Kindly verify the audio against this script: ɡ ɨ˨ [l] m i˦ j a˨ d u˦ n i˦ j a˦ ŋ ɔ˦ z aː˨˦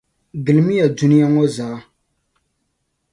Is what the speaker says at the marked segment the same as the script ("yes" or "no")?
yes